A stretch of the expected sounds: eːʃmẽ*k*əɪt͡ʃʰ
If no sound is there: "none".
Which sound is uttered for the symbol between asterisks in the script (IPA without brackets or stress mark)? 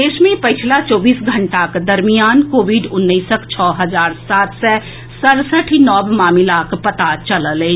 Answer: p